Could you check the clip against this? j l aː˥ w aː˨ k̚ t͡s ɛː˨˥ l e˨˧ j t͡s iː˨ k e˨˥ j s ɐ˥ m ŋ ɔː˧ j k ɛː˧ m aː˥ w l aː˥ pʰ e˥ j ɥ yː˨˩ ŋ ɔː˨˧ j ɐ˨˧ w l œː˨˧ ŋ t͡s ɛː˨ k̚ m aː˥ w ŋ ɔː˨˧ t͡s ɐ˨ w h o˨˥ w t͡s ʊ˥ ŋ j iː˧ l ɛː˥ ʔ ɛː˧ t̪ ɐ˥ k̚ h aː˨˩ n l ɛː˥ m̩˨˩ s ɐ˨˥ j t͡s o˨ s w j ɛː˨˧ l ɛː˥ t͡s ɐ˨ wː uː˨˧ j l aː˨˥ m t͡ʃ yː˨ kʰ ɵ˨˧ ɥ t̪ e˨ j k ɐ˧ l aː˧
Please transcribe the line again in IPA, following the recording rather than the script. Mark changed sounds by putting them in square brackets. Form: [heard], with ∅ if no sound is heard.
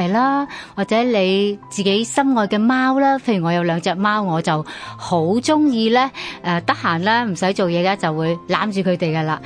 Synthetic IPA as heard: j l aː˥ w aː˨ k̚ t͡s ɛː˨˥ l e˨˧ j t͡s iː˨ k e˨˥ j s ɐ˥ m ŋ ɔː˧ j k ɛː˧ m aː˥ w l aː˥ pʰ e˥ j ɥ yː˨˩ ŋ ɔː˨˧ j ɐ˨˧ w l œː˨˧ ŋ t͡s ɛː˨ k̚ m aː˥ w ŋ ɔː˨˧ t͡s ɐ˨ w h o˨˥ w t͡s ʊ˥ ŋ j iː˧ l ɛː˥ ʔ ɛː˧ t̪ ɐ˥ k̚ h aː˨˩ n l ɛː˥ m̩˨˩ s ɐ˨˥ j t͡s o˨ [∅] w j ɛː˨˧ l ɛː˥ t͡s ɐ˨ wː uː˨˧ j l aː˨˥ m t͡ʃ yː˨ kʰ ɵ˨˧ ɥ t̪ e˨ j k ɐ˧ l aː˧